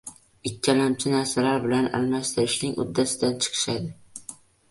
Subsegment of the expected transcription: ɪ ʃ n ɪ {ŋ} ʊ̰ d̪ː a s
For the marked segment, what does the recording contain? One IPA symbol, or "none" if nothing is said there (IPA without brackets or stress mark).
ŋ